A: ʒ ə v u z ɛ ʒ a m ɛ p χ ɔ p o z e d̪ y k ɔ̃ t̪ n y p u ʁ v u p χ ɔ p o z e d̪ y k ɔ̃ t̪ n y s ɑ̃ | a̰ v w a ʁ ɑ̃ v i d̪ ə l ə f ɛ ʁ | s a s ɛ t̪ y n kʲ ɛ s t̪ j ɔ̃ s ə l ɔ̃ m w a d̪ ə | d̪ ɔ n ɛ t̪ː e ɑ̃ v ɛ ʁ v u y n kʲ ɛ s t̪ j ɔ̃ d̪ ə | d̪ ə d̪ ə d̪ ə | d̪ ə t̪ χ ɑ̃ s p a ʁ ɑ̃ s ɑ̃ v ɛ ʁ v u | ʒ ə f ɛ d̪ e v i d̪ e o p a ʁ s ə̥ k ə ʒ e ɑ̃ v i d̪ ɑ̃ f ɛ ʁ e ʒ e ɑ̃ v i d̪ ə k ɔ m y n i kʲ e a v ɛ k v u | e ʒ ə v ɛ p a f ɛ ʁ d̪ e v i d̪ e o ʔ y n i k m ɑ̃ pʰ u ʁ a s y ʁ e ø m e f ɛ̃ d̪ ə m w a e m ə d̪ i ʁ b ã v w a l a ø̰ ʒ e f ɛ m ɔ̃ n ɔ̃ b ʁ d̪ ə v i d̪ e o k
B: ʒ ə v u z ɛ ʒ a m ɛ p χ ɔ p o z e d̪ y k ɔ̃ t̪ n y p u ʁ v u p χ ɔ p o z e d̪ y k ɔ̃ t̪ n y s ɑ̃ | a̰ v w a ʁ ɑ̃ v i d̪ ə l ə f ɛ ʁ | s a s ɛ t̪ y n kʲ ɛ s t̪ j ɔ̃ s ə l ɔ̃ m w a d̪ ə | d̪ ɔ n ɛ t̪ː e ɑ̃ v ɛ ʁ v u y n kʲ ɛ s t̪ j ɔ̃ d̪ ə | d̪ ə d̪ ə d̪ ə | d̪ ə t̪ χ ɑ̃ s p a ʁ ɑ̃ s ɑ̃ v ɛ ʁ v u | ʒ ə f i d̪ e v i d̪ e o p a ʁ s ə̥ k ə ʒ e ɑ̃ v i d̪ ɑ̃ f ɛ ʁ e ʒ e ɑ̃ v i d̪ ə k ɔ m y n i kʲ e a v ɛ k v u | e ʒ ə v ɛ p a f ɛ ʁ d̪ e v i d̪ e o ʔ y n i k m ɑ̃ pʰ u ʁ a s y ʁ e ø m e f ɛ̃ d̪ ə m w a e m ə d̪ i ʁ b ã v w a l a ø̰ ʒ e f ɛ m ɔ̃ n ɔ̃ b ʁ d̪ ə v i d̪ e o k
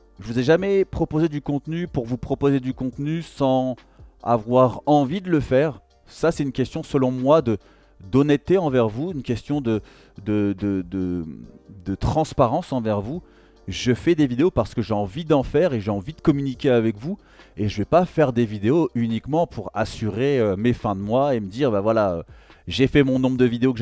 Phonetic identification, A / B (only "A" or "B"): A